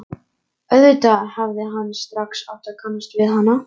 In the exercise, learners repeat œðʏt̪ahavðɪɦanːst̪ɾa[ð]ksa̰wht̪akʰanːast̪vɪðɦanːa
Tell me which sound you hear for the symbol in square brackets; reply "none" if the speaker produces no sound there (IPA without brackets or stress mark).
none